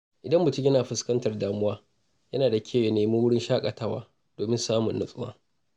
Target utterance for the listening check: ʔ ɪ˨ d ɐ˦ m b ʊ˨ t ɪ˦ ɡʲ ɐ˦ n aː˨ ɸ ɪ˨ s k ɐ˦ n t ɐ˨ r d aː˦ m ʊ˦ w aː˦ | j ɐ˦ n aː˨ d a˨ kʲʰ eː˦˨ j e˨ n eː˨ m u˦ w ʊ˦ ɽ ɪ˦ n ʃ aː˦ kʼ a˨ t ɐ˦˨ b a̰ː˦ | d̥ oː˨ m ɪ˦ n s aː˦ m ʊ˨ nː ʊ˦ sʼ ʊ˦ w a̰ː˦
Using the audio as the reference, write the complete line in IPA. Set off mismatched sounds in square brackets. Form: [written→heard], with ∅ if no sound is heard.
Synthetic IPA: ʔ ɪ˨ d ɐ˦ m b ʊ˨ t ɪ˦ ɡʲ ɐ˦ n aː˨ ɸ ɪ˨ s k ɐ˦ n t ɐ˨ r d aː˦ m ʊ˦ w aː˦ | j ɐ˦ n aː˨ d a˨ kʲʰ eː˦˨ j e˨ n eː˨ m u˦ w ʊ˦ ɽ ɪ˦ n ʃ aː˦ kʼ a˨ t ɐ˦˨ [b→w] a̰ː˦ | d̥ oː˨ m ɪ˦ n s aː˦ m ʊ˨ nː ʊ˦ sʼ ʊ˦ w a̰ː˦